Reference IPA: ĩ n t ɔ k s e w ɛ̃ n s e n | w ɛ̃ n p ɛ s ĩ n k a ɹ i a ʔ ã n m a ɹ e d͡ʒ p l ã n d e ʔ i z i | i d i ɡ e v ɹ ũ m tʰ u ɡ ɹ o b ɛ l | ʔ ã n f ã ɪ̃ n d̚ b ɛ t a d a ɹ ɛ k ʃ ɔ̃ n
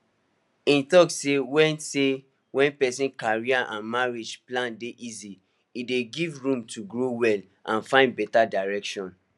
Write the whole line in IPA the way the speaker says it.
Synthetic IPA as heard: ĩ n t ɔ k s e w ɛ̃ n s e | w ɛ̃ n p ɛ s ĩ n k a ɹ i a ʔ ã n m a ɹ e d͡ʒ p l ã n d e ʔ i z i | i d e ɡ i v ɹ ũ m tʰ u ɡ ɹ o w ɛ l | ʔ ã n f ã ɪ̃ n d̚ b ɛ t a d a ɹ ɛ k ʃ ɔ̃ n